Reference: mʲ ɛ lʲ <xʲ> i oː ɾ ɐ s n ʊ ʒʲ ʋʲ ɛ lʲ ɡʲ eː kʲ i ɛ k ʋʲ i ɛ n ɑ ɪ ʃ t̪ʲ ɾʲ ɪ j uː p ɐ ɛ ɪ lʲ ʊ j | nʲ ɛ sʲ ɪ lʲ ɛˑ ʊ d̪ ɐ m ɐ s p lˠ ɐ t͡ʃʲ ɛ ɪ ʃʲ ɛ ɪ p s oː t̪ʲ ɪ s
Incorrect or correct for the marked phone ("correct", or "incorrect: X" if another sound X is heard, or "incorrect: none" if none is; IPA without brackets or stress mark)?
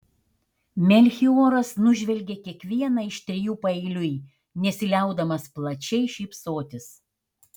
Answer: correct